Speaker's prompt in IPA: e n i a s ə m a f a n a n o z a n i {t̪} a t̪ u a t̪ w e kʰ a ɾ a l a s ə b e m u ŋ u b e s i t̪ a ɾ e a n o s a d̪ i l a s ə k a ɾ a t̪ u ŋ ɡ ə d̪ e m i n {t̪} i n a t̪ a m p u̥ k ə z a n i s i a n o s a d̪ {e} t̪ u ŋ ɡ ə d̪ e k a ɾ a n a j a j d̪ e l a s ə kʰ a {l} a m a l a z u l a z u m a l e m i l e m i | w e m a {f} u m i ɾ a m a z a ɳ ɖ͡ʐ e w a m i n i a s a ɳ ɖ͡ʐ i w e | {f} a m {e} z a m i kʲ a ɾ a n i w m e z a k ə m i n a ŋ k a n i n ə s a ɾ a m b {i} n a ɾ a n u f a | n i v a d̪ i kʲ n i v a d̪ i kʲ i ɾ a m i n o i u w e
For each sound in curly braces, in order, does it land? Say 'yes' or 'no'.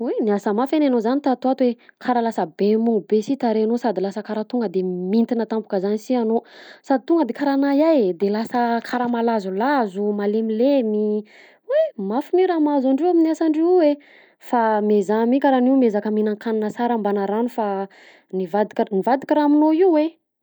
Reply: yes, yes, no, no, yes, yes, yes, no

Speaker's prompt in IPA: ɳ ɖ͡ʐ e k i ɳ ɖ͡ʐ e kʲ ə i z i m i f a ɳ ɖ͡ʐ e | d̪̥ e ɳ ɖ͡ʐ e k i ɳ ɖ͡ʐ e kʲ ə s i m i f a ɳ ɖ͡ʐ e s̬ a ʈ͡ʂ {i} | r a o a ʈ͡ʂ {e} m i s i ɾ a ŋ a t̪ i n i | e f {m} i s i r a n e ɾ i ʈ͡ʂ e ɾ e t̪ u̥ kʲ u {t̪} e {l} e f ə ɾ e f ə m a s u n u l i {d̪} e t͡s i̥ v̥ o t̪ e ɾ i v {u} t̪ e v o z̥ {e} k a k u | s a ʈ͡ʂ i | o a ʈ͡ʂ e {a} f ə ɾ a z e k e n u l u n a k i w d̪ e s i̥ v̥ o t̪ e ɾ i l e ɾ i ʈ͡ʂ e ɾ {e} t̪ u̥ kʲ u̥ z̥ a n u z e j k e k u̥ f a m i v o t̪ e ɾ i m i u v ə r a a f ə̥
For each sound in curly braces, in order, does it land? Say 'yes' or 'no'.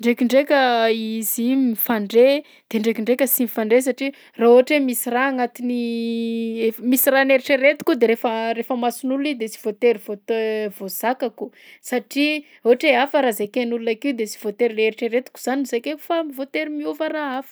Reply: yes, yes, yes, no, no, yes, no, no, yes, yes

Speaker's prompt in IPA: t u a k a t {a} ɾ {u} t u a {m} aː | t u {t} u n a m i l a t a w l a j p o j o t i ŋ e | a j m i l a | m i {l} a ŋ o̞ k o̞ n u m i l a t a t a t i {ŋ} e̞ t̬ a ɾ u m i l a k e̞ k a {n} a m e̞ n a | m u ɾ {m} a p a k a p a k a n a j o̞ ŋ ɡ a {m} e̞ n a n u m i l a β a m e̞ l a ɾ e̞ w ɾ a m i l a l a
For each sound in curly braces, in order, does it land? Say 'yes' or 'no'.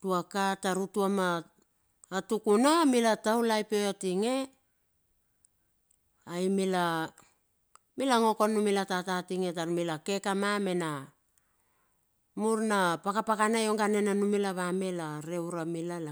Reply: yes, yes, yes, no, yes, yes, no, no, no

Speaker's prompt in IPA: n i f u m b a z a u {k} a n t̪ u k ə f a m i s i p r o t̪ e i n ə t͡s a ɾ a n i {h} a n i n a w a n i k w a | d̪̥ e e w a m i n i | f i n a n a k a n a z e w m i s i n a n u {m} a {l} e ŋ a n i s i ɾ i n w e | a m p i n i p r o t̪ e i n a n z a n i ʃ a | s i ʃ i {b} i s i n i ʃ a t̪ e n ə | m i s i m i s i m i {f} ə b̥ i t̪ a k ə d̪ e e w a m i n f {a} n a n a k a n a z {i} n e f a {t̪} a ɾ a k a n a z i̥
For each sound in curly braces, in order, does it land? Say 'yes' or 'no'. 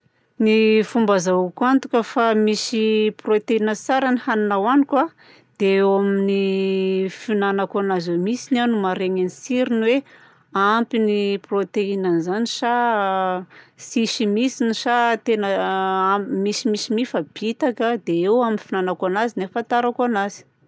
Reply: yes, yes, yes, no, no, yes, no, yes, yes

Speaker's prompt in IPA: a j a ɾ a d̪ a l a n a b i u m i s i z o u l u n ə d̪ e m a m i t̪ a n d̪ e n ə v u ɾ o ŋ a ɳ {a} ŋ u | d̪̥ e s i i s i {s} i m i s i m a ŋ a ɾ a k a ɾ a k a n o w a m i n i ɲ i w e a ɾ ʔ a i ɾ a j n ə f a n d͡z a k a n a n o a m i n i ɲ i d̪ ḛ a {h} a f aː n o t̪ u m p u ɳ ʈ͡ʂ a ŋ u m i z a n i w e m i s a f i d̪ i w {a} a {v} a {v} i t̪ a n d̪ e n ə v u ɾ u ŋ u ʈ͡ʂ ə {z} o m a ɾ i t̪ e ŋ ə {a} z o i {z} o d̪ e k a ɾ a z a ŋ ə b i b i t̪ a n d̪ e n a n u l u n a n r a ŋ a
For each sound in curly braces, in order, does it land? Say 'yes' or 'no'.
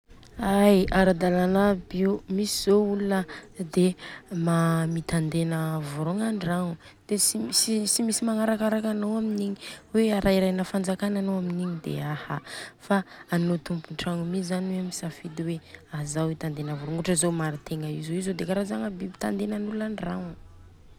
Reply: yes, yes, yes, no, no, no, yes, no, yes

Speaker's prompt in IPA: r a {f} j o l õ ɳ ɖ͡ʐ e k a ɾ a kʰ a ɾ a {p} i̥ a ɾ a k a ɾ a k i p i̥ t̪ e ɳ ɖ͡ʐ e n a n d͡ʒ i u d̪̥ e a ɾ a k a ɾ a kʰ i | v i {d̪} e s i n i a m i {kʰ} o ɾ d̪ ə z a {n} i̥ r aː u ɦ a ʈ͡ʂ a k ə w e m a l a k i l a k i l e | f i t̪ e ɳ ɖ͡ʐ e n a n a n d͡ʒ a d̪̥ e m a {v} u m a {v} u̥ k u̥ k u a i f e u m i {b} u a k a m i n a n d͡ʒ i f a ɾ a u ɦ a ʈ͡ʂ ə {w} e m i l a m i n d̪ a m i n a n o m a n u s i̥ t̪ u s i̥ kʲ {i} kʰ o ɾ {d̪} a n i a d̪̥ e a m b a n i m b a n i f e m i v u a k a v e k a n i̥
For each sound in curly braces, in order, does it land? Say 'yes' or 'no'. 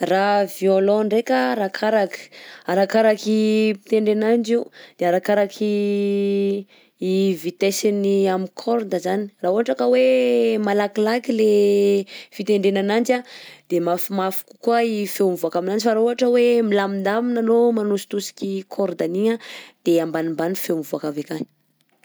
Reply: no, no, no, yes, yes, no, no, no, yes, yes, yes

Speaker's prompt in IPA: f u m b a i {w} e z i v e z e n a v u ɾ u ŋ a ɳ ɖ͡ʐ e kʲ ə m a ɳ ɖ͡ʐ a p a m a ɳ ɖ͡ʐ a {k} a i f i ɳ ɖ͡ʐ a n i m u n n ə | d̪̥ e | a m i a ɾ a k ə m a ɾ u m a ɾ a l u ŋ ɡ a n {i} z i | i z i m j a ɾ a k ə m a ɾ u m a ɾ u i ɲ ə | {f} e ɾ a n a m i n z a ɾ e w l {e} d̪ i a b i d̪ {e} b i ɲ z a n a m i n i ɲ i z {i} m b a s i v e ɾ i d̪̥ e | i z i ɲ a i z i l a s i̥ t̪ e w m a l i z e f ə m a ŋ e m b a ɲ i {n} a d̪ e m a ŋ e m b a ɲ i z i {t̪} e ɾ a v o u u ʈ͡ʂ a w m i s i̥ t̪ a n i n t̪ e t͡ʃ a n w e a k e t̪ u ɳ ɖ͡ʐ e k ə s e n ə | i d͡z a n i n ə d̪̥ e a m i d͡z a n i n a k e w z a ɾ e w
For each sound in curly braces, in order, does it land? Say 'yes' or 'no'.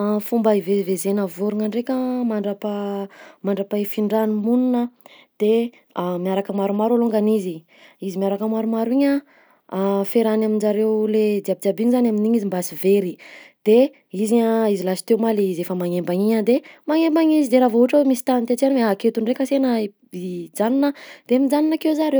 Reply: no, no, yes, yes, yes, no, yes, no, no

